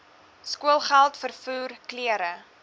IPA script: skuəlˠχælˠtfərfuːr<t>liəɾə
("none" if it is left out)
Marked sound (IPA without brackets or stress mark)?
k